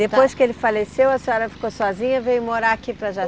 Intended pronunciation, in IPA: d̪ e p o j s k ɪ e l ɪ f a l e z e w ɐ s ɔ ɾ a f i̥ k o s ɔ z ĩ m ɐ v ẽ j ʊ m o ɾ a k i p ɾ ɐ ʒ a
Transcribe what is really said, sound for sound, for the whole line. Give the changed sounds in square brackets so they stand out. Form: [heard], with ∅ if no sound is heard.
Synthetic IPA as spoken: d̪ e p o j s k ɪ e l ɪ f a l e [s] e w ɐ s ɔ ɾ [ɐ] f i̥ k o s ɔ z ĩ [ɲ] ɐ v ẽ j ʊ m o ɾ a k i p ɾ ɐ ʒ a